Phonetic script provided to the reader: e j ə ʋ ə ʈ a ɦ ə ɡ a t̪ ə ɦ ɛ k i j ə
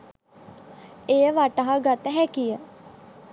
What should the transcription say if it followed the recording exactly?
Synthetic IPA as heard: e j ə ʋ a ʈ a ɦ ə ɡ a t̪ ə ɦ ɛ k i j ə